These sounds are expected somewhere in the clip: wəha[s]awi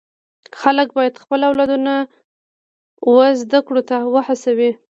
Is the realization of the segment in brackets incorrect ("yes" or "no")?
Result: no